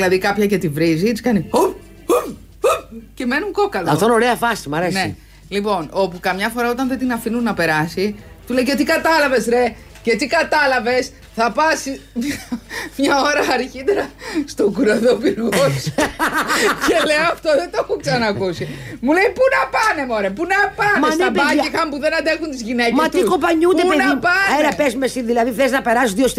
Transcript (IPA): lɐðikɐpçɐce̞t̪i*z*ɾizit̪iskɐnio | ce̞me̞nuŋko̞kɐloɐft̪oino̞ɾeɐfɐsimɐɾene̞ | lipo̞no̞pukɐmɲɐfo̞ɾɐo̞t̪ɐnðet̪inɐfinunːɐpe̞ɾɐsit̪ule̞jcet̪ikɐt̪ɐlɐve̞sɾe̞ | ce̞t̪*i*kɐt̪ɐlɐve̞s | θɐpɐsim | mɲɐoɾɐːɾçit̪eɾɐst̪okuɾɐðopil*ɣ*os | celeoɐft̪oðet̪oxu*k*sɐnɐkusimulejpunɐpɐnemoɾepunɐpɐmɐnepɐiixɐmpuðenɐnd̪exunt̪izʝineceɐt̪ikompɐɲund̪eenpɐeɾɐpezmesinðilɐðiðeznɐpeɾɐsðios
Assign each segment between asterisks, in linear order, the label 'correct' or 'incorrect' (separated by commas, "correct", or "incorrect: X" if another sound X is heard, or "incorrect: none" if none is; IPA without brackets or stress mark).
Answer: incorrect: v, correct, correct, correct